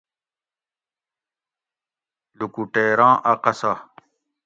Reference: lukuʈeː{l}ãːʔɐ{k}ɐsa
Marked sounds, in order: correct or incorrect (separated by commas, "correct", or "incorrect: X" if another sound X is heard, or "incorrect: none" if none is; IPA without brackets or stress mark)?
incorrect: ɾ, incorrect: q